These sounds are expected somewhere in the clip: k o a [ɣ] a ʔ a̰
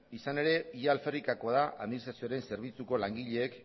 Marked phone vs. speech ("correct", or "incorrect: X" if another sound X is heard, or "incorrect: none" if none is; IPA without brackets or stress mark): incorrect: ð